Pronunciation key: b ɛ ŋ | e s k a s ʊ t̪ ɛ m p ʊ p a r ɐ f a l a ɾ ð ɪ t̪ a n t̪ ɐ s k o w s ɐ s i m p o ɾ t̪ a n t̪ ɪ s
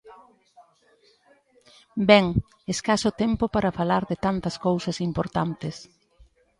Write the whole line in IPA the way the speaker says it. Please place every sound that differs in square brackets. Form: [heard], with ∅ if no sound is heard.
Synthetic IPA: b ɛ ŋ | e s k a s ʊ t̪ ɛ m p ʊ p a [ɾ] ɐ f a l a ɾ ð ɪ t̪ a n t̪ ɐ s k o w s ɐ s i m p o ɾ t̪ a n t̪ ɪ s

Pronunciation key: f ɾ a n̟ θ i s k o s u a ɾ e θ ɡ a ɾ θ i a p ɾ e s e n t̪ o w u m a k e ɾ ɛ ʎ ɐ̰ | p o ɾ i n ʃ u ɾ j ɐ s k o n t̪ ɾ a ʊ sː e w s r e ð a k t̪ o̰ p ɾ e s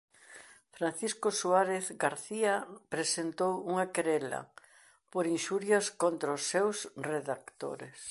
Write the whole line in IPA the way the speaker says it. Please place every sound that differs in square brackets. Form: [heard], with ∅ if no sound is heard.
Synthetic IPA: f ɾ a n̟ θ i s k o s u a ɾ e θ ɡ a ɾ θ i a p ɾ e s e n t̪ o w u [ŋ] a k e ɾ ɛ [l] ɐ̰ | p o ɾ i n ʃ u ɾ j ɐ s k o n t̪ ɾ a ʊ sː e w s r e ð a k t̪ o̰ [∅] ɾ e s

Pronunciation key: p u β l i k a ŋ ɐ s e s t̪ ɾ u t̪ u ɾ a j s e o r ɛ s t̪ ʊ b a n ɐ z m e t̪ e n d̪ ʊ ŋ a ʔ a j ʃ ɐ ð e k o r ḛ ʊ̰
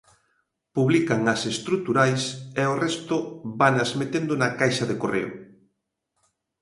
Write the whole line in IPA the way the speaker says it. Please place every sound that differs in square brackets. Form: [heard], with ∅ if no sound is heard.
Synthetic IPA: p u β l i k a ŋ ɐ s e s t̪ ɾ u t̪ u ɾ a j s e o r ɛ s t̪ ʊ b a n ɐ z m e t̪ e n d̪ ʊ [n] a [k] a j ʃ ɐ ð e k o r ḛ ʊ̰

